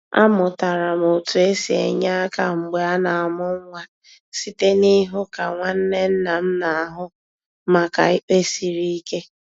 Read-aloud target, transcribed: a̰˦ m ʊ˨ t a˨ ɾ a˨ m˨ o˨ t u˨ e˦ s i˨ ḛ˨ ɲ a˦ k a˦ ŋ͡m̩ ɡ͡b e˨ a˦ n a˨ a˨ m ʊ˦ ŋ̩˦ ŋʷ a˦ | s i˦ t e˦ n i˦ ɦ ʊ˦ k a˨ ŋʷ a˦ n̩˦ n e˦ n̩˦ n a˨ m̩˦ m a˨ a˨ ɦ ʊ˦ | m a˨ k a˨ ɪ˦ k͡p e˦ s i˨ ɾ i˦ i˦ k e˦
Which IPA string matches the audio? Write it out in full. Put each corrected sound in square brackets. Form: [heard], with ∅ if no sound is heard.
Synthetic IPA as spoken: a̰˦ m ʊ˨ t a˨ ɾ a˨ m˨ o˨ t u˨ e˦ s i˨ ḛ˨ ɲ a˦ k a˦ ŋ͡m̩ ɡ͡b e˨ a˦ n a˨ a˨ m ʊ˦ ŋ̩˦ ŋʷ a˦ | s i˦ t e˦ n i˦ ɦ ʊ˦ k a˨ ŋʷ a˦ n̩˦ n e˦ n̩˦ n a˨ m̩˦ [n] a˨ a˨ ɦ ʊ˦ | m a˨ k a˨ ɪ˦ k͡p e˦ s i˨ ɾ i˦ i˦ k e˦